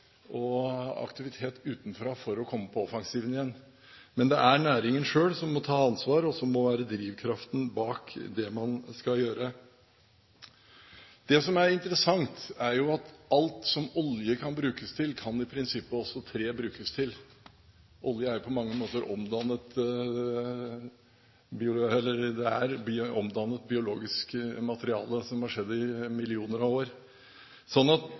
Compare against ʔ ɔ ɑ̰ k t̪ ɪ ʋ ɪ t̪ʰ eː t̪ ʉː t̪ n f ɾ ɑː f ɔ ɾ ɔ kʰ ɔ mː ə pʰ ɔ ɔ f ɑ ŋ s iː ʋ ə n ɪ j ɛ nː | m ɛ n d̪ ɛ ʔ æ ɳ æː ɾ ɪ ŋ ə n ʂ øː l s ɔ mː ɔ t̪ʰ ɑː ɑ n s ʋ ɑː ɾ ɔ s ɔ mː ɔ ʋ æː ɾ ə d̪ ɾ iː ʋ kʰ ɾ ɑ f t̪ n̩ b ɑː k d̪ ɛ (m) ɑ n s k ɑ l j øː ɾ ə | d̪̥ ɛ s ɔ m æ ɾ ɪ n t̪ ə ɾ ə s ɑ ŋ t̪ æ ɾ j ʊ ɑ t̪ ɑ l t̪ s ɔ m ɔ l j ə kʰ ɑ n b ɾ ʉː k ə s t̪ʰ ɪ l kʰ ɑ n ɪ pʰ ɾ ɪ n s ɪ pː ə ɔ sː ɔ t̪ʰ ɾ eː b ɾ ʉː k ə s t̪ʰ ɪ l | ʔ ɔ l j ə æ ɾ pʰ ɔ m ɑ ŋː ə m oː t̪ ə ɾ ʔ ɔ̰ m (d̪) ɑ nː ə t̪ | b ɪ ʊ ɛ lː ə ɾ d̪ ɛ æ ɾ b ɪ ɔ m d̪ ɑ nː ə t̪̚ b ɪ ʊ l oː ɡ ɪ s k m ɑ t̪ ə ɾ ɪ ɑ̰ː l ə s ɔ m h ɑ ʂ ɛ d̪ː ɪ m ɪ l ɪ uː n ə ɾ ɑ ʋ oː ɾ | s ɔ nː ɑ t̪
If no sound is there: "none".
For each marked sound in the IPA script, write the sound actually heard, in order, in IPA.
m, d̪

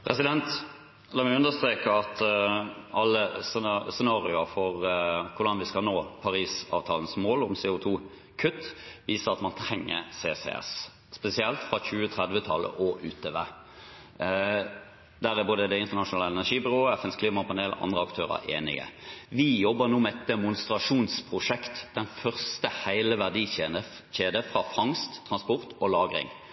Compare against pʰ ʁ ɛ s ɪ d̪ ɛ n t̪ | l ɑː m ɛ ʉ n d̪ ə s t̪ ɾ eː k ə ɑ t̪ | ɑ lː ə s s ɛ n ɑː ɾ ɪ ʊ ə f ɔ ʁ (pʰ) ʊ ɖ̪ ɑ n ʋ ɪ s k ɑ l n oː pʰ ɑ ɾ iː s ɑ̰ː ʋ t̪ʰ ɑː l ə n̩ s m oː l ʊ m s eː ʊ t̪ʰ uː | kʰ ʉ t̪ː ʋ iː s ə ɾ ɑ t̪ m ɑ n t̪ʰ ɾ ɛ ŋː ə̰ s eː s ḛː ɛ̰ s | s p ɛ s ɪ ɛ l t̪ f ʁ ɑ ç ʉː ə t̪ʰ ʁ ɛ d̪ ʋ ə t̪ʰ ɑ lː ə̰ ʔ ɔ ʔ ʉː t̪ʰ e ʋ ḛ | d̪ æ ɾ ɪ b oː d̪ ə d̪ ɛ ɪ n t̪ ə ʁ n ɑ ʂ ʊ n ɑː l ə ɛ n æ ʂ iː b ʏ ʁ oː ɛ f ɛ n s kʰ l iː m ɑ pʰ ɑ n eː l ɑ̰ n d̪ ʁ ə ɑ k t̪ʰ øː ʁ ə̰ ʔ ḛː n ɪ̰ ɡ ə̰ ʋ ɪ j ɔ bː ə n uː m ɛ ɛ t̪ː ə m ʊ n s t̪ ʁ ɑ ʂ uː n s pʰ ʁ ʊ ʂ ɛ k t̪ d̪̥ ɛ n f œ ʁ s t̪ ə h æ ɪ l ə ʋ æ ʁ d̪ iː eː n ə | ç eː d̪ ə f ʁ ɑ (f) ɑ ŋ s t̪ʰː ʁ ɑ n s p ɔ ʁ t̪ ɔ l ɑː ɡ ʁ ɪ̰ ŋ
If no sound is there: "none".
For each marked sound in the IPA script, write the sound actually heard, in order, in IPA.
kʰ, f

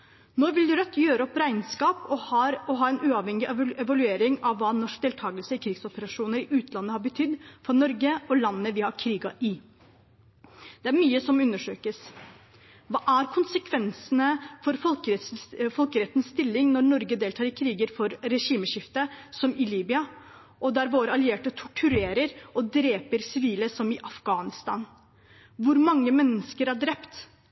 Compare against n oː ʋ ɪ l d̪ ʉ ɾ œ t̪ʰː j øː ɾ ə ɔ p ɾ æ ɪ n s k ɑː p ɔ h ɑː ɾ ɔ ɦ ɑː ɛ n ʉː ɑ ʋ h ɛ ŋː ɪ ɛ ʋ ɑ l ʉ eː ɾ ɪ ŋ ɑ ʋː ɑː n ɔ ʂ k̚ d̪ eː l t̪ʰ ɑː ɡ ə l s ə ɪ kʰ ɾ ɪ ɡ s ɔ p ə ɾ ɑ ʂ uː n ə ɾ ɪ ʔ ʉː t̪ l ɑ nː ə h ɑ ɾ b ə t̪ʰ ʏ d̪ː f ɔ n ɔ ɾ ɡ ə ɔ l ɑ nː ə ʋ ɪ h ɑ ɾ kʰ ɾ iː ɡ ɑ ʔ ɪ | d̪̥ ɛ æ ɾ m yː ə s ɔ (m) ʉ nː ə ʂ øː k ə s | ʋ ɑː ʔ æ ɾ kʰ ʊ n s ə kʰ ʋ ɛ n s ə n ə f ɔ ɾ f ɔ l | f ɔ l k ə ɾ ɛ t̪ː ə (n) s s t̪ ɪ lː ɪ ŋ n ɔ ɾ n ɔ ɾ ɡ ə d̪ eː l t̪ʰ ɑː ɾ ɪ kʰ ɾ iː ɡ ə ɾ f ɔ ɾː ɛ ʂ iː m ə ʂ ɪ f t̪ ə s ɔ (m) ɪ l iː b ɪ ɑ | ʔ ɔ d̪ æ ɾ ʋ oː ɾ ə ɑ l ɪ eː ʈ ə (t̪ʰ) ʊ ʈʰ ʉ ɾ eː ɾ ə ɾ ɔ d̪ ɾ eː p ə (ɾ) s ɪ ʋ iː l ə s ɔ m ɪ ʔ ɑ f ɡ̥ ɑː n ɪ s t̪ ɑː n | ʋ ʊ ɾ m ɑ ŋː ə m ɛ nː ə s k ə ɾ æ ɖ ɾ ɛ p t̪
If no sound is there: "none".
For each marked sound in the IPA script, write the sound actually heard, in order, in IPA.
m, n, m, t̪ʰ, ɾ

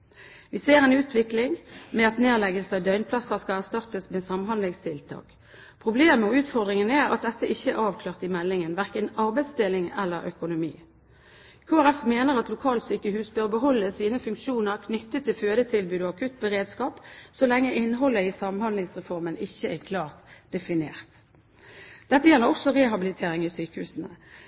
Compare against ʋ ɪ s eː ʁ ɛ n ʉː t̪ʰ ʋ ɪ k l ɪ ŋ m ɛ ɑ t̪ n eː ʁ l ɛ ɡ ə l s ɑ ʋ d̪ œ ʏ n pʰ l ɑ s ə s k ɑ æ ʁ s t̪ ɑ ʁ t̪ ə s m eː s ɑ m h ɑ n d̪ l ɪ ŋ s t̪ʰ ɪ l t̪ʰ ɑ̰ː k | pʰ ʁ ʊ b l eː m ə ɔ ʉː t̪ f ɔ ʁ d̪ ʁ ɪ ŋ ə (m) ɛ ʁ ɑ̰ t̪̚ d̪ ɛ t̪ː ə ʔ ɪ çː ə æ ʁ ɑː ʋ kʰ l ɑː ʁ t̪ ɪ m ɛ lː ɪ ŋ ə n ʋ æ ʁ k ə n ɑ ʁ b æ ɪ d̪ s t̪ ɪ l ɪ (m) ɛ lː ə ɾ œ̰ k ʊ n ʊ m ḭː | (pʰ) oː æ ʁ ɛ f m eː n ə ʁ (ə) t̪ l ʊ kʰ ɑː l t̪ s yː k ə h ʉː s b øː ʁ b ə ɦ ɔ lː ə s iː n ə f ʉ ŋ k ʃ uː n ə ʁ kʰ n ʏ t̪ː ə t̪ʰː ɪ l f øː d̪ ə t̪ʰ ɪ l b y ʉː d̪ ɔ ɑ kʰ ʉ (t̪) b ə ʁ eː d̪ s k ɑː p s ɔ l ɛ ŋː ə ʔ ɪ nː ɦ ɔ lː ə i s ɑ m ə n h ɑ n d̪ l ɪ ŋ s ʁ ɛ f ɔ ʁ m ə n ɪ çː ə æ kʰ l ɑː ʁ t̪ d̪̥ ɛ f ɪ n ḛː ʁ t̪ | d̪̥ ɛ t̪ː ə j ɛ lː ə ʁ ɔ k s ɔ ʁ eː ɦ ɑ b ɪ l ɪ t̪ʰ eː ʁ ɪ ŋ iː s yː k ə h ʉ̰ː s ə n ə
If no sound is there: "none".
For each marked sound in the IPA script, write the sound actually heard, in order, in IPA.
n, ŋ, kʰ, ɑ, t̪

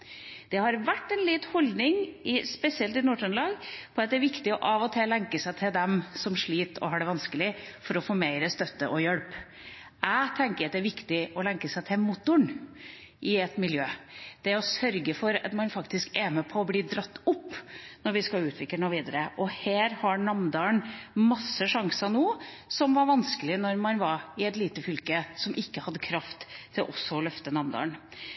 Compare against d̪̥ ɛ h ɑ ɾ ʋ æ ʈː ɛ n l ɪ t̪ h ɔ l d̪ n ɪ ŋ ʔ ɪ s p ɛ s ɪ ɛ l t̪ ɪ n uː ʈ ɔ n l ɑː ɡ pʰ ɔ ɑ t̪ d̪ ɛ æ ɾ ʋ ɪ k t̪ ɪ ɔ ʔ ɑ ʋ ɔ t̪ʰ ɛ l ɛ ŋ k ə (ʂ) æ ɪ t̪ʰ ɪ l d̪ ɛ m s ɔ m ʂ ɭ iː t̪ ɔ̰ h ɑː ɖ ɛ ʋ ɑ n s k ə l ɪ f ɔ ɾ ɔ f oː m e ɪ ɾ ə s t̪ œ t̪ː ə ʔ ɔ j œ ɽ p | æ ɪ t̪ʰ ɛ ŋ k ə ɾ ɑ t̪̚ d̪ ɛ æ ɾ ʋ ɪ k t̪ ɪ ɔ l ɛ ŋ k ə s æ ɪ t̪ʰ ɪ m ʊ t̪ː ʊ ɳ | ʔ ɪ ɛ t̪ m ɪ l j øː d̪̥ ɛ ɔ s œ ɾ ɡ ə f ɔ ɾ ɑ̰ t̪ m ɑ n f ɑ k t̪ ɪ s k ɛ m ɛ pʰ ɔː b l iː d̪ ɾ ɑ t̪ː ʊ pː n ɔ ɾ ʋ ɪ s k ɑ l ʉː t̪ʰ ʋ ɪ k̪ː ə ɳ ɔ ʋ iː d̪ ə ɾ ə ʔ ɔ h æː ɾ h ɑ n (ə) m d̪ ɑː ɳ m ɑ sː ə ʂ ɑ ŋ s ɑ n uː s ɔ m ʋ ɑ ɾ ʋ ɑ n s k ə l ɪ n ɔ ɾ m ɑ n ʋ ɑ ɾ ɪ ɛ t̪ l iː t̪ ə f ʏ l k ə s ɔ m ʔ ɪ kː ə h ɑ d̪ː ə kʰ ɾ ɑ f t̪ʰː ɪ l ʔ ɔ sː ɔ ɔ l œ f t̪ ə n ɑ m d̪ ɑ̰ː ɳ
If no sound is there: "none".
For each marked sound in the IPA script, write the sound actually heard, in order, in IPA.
s, ɑ

